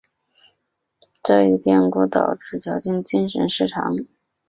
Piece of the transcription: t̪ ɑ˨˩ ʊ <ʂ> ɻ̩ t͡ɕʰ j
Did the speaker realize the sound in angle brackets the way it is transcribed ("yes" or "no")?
no